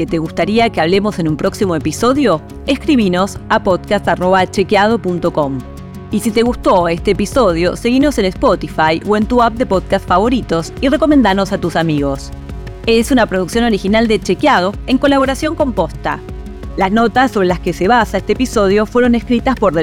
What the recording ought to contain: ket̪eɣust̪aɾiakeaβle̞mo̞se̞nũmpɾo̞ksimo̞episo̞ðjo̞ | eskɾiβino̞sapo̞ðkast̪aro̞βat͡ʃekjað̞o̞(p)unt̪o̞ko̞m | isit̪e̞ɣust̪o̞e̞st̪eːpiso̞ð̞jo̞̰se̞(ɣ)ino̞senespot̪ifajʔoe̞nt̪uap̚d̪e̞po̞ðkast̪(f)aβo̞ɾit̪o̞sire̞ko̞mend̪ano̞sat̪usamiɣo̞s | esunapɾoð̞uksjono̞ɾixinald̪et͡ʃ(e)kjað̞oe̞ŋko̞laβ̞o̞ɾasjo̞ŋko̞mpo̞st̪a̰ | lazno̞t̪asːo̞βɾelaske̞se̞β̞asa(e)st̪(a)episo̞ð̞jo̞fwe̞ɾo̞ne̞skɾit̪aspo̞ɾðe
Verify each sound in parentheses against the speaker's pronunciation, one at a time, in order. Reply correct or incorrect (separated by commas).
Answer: correct, correct, correct, correct, correct, incorrect